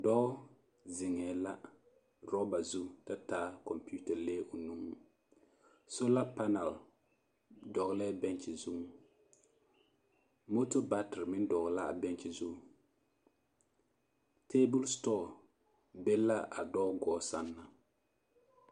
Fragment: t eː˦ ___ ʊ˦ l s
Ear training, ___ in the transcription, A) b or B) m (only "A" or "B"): A